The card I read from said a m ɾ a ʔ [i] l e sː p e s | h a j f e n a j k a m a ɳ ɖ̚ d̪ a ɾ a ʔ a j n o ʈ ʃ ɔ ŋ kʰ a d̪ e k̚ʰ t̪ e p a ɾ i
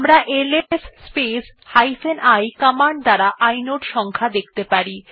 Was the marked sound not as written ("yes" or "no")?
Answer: yes